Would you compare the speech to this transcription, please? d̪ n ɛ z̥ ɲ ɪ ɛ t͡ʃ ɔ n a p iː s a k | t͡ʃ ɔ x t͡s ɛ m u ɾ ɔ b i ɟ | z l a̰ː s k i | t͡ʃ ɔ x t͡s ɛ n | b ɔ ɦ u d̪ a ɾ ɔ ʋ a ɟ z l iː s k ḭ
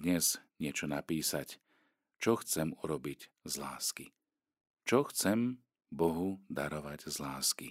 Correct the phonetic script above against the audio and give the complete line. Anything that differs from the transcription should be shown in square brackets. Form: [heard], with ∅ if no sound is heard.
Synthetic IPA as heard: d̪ [ɲ] ɛ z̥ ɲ ɪ ɛ t͡ʃ ɔ n a p iː s a [c] | t͡ʃ ɔ x t͡s ɛ m u ɾ ɔ b i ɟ | z l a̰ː s k i | t͡ʃ ɔ x t͡s ɛ [m] | b ɔ ɦ u d̪ a ɾ ɔ ʋ a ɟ z l [aː] s k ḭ